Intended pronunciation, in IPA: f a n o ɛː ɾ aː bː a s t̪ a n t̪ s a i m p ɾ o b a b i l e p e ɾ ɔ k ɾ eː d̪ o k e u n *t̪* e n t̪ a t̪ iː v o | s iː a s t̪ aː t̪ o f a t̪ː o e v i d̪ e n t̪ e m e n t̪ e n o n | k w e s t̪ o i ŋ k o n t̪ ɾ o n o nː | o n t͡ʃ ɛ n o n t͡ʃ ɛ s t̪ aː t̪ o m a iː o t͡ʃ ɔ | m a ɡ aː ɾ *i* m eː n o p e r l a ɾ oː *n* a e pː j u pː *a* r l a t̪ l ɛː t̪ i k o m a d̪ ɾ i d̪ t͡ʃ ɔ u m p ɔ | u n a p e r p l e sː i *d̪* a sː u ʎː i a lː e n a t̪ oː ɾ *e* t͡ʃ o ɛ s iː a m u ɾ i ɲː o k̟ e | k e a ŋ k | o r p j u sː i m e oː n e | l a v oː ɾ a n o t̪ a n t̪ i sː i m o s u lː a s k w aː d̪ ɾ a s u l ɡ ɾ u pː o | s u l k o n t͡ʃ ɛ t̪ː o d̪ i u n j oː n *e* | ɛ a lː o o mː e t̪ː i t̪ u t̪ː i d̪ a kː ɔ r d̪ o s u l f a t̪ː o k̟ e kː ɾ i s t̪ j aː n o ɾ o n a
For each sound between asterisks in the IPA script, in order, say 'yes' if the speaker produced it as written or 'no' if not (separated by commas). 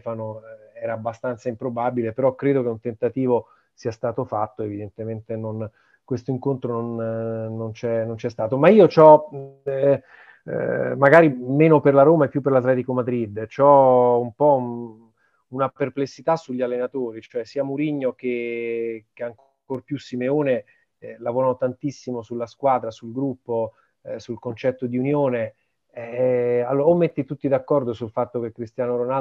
yes, yes, no, no, no, no, yes